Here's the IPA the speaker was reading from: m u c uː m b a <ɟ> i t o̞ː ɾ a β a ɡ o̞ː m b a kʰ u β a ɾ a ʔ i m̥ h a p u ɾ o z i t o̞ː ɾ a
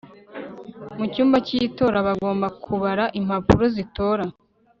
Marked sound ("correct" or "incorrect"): incorrect